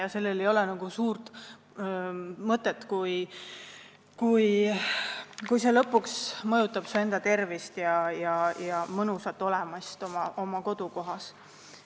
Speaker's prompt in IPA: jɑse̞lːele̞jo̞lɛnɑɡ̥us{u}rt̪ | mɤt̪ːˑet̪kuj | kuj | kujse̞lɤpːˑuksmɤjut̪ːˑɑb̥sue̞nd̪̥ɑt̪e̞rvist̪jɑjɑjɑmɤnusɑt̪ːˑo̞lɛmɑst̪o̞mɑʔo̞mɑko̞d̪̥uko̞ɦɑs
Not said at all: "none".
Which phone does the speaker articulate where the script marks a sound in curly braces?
uː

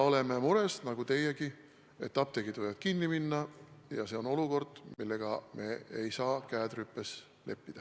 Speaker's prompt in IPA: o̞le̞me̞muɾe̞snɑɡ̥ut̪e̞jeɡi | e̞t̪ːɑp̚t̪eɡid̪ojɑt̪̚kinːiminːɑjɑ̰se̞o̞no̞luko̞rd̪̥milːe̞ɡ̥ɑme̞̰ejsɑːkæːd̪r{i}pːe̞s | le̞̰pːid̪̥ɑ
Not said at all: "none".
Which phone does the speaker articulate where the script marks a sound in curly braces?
y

